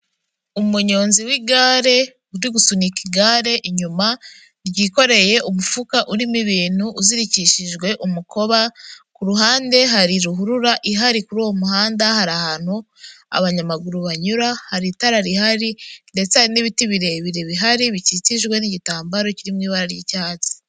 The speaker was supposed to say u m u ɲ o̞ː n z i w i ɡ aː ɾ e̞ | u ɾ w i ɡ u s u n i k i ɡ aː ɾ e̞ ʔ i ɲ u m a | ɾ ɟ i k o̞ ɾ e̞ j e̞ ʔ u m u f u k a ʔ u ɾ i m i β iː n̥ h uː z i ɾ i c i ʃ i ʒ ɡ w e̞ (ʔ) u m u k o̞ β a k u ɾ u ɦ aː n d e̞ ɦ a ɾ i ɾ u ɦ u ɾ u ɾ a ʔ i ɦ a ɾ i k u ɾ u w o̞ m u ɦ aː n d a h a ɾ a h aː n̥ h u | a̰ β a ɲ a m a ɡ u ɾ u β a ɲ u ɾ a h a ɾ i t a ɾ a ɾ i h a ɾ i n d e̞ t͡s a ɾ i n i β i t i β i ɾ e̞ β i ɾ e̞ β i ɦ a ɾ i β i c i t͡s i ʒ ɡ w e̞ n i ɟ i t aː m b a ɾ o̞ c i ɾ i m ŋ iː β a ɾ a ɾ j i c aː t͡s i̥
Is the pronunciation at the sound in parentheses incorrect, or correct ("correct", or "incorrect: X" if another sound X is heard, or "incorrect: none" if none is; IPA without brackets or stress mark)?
correct